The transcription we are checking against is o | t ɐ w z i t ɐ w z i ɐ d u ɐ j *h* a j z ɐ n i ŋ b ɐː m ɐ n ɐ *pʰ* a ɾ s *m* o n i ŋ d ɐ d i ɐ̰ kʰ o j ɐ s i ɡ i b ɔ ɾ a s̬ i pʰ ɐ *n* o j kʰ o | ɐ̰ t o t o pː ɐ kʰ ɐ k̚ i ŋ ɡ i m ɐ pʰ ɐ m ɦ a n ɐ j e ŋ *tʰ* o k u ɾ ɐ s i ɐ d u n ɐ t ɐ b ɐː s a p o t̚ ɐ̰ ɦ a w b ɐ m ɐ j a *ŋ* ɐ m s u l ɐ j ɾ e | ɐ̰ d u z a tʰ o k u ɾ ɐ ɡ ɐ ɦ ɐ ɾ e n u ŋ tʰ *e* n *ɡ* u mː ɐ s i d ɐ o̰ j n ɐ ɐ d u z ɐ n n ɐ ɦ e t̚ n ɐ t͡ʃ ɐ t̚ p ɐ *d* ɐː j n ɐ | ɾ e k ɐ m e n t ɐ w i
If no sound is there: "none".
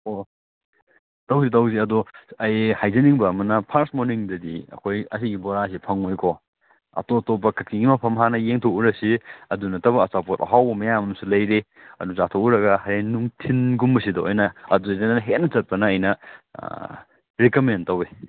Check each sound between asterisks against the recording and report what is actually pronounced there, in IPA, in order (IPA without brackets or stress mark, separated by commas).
h, pʰ, m, ŋ, tʰ, m, i, ɡ, n